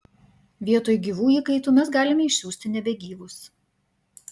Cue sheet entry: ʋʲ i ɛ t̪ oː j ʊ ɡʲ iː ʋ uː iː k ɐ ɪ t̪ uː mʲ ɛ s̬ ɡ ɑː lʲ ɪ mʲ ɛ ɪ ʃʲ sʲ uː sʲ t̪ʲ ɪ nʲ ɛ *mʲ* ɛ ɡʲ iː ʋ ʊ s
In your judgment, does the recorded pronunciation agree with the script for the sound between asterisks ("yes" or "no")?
no